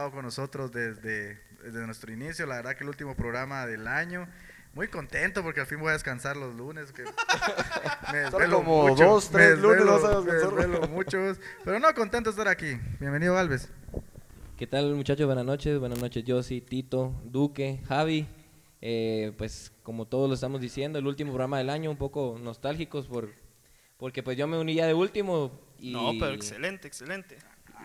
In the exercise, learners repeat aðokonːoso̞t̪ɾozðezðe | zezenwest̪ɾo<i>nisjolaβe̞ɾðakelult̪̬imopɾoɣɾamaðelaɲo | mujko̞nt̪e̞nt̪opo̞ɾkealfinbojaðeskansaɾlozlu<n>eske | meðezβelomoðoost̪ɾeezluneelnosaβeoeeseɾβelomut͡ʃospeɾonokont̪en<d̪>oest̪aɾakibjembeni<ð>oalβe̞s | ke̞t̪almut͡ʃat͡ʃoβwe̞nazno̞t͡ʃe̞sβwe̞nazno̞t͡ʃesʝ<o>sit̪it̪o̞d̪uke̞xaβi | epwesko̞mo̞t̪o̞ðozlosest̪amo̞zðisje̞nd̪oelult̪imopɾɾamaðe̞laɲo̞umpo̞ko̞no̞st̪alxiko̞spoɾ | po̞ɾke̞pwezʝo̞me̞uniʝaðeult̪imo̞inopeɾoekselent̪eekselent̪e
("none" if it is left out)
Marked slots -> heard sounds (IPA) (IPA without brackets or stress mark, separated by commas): i, n, t̪, ð, o